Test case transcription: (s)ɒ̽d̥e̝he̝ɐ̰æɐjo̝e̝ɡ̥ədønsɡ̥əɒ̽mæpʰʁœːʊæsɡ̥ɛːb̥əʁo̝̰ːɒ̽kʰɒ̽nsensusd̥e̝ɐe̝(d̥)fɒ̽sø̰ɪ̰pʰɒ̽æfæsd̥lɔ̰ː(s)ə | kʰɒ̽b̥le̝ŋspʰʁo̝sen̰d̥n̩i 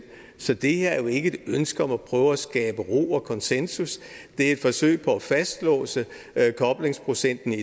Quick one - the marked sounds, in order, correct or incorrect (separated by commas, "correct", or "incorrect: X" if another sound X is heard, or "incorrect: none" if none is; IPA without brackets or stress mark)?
correct, correct, correct